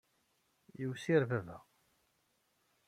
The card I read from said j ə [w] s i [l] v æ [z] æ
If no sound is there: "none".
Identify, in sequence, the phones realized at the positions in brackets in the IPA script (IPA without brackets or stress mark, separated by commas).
w, ɾ, v